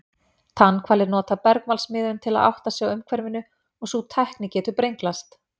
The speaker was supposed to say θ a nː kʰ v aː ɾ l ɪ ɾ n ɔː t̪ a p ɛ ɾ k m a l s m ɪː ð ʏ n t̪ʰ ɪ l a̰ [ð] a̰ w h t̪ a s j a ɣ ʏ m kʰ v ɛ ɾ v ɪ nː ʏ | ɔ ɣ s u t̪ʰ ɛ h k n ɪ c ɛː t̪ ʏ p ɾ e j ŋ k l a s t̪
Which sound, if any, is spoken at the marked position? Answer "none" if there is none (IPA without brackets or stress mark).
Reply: ð